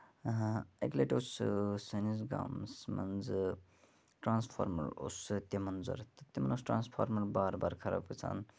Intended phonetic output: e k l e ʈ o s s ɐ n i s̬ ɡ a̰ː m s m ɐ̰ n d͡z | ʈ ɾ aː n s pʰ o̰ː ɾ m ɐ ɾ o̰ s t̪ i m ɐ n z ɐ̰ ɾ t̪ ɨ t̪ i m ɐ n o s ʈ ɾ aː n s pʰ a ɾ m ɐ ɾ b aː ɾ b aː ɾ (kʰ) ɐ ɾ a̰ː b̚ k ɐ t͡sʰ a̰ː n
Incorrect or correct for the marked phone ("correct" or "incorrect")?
correct